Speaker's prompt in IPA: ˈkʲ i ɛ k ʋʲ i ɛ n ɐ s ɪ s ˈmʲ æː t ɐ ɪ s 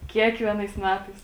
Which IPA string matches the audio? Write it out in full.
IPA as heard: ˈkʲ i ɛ k ʋʲ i ɛ n ɐ ɪ s ˈmʲ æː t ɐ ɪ s